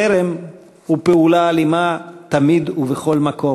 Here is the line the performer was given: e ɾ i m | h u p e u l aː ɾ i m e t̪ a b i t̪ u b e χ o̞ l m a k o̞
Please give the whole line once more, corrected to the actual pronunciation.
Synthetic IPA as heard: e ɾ e m | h u p e u l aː l i m a t̪ a m i d̪ u v e χ o̞ l m a k o̞